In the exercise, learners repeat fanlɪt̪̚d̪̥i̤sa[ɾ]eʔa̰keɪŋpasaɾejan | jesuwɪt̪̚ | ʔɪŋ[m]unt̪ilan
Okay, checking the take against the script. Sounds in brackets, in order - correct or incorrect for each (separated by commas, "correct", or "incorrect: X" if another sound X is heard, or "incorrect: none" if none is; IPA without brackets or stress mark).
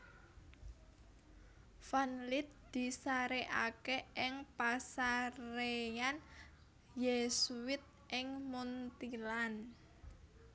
correct, correct